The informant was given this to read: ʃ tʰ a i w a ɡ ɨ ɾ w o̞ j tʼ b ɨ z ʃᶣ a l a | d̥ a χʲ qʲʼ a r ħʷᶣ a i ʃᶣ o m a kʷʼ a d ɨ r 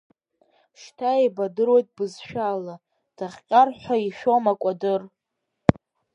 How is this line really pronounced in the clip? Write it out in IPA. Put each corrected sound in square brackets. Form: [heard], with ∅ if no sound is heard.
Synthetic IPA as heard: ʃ tʰ a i [b] a [d] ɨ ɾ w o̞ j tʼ b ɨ z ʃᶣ a l a | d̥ a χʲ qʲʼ a r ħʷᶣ a i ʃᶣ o m a kʷʼ a d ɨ r